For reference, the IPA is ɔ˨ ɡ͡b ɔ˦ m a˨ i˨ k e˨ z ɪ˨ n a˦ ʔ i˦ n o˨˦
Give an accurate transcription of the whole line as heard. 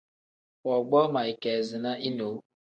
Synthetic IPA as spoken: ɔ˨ ɡ͡b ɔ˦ m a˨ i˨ k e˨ z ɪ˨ n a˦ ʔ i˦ n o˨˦